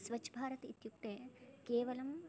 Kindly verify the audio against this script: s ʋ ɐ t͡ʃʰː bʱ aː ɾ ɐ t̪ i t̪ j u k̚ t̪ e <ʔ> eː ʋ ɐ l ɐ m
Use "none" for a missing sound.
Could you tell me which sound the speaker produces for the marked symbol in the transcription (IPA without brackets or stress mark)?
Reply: k